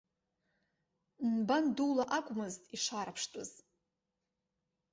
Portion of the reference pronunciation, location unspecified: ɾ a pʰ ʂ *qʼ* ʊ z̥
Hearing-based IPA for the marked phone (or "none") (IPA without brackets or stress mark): tʼ